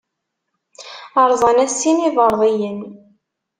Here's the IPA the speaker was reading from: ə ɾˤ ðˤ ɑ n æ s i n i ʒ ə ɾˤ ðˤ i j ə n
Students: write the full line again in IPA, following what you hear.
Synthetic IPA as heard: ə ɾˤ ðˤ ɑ n æ s i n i ð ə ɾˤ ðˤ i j ə n